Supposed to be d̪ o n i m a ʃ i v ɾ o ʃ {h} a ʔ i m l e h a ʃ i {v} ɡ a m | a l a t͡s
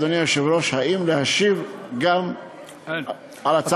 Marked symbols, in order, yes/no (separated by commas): yes, yes